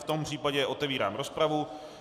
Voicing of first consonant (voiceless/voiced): voiceless